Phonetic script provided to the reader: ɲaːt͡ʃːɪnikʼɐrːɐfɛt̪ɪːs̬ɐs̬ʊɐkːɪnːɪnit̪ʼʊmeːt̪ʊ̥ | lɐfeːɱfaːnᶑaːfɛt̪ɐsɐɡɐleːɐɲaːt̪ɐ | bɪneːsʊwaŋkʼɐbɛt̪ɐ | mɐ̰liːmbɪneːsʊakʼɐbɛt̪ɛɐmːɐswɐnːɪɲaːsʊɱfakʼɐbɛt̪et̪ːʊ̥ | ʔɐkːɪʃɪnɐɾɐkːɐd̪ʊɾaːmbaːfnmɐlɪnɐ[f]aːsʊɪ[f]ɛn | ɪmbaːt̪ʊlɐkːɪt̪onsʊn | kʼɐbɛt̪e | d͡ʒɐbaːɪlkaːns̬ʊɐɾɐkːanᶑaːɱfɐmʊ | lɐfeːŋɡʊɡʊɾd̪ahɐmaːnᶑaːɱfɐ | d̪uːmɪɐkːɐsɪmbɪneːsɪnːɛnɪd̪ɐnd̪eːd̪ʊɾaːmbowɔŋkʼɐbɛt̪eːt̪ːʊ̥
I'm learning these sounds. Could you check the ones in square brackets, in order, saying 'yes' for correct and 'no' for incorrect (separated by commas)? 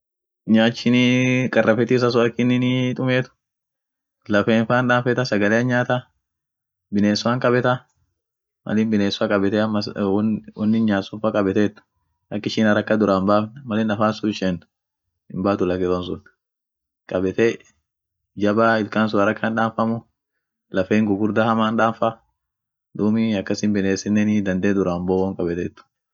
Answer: yes, no